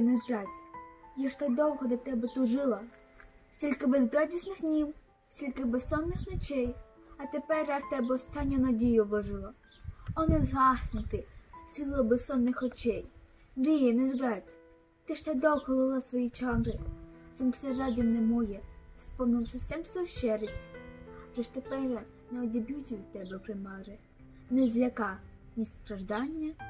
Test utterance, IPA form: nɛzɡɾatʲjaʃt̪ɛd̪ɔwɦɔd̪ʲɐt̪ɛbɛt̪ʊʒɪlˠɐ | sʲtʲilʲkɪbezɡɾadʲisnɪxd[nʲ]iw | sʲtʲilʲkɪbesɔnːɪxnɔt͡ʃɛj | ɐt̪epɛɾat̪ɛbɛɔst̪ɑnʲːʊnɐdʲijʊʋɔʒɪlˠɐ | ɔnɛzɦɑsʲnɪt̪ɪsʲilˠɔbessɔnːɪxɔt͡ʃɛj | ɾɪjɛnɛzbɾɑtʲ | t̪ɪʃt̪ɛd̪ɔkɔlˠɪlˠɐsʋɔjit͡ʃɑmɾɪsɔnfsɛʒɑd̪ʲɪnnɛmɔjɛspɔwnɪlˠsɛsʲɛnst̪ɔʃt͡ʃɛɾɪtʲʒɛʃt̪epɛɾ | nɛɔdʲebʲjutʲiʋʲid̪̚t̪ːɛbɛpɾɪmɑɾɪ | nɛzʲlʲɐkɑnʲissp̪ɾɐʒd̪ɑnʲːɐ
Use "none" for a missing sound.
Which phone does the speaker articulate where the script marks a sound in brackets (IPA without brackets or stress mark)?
nʲ